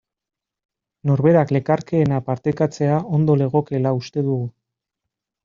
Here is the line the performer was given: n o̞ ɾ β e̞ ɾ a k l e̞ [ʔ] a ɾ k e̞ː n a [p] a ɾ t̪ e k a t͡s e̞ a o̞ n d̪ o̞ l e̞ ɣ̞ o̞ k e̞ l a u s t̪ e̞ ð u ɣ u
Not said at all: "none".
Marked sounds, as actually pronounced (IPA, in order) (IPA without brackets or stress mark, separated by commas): k, p